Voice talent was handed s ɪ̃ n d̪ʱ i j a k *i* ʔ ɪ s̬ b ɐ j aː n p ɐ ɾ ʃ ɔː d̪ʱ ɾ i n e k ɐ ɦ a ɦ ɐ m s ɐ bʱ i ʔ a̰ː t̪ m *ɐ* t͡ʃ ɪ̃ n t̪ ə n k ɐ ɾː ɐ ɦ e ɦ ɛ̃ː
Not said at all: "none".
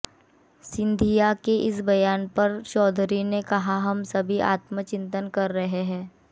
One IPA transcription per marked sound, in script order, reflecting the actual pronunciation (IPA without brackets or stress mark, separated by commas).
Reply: e, ə